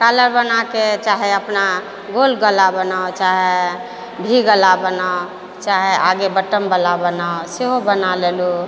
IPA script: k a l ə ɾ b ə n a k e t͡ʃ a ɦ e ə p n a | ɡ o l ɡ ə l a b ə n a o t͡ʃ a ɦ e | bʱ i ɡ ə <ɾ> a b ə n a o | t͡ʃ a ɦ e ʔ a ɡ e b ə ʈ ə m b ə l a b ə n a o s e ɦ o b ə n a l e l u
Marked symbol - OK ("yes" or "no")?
no